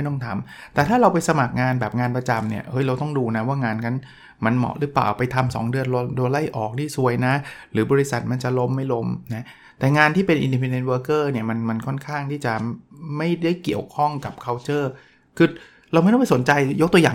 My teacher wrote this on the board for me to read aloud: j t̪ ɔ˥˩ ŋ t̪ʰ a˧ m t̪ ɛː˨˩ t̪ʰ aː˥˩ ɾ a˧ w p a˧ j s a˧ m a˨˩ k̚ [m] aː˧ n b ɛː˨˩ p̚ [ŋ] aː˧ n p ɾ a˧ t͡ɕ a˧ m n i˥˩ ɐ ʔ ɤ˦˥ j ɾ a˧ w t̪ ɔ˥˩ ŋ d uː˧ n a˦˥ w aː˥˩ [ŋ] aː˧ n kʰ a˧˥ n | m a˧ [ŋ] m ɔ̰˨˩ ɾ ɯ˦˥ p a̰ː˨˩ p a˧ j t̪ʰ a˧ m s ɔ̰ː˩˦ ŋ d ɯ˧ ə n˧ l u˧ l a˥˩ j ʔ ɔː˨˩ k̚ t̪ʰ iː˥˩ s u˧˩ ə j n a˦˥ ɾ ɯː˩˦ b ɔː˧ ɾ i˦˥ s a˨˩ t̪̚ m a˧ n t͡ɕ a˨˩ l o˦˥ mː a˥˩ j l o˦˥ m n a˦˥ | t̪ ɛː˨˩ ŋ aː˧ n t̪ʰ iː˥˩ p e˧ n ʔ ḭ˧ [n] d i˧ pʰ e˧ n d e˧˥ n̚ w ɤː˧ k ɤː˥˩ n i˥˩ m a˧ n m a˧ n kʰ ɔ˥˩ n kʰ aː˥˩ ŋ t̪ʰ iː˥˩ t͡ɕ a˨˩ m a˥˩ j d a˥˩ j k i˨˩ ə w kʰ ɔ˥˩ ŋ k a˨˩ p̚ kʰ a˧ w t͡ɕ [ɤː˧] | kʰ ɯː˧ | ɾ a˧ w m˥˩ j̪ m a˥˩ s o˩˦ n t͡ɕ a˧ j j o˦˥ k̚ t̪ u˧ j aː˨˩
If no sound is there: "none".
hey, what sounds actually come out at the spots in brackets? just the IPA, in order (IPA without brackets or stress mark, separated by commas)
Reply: ŋ, ŋ, ŋ, n, n, ɤː˥˩